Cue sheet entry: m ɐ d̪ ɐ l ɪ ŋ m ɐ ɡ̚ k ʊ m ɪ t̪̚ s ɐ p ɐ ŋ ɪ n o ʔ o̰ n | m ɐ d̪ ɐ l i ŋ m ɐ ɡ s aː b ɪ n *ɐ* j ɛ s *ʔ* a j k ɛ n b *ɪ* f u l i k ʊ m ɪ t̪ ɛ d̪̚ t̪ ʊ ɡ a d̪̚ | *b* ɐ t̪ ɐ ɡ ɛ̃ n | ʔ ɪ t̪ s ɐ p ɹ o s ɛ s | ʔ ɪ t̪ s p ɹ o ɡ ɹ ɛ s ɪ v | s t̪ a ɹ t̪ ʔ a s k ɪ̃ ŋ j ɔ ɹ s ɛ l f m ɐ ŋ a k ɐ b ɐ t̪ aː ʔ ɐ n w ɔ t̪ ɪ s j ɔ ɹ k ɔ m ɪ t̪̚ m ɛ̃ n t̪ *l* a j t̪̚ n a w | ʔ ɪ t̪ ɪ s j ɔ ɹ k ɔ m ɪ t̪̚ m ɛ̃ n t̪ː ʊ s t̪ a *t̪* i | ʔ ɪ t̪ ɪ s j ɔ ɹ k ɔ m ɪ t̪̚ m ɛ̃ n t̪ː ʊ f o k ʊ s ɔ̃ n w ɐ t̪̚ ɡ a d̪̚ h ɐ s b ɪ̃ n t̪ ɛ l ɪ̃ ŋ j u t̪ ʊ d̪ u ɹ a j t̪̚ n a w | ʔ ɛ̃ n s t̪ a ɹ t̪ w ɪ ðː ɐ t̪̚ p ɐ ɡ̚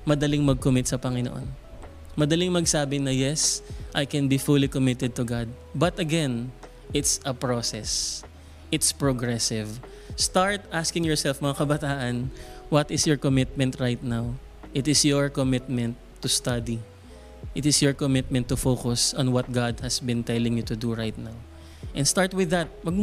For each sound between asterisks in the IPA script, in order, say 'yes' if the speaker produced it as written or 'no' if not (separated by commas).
yes, yes, no, yes, no, no